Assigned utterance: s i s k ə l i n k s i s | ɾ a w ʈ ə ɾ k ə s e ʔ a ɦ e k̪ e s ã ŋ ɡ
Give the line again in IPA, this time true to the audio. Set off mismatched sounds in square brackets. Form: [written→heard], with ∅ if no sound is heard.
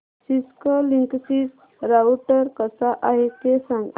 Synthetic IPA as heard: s i s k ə l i [n→ŋ] k s i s | ɾ a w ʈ ə ɾ k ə s [e→a] ʔ a ɦ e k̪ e s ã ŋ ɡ